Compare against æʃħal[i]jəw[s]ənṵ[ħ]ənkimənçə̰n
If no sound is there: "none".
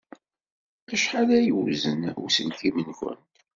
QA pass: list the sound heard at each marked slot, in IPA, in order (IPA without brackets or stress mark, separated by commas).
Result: æ, z, s